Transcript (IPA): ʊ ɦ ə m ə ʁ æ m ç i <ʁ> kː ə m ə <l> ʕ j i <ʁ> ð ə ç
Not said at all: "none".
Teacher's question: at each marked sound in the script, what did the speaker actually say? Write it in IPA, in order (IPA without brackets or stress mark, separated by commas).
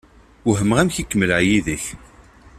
none, l, none